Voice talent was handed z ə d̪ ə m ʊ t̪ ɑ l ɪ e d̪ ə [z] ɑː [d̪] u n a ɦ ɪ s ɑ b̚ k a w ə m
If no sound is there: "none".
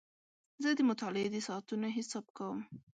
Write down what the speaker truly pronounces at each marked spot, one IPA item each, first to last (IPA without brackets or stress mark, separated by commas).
s, t̪